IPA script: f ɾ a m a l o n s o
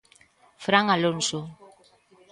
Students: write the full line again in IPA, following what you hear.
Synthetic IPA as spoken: f ɾ a ŋ a l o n s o